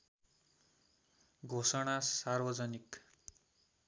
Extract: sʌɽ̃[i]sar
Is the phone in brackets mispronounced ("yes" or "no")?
yes